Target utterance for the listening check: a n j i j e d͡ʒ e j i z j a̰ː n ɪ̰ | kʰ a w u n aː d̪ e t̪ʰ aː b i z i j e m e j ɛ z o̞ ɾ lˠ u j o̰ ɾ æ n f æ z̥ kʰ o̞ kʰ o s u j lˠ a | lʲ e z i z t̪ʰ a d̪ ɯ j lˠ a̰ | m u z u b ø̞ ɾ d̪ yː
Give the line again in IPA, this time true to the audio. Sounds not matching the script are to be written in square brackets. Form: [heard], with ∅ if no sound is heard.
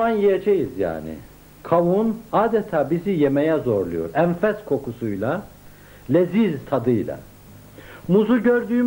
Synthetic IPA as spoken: a n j i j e d͡ʒ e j i z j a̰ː n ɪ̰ | kʰ a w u n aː d̪ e t̪ʰ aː b i z i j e m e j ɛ z o̞ ɾ lˠ u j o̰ ɾ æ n f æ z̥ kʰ o̞ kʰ [u] s u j lˠ a | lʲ e z i z t̪ʰ a d̪ ɯ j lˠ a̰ | m u z u [ɟ] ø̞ ɾ d̪ yː